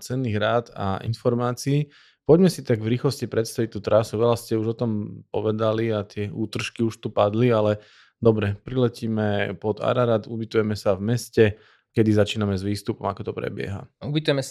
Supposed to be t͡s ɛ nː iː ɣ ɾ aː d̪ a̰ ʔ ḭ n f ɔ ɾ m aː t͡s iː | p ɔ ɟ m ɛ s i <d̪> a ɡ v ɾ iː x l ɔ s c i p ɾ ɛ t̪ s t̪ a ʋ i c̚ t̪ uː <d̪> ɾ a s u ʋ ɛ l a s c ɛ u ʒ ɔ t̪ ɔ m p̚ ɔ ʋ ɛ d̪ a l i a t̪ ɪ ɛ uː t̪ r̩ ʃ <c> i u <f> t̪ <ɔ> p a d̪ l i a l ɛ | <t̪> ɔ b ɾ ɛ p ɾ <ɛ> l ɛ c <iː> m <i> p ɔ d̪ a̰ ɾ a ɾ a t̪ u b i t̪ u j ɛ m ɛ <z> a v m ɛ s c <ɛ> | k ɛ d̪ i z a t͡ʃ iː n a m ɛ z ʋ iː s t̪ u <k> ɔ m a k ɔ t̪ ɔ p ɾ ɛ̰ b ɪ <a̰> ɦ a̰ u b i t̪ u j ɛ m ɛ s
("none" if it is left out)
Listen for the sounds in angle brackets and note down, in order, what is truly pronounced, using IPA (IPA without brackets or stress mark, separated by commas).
t̪, t̪, k, ʃ, u, d̪, i, iː, ɛ, s, ɛ, p, ɛ̰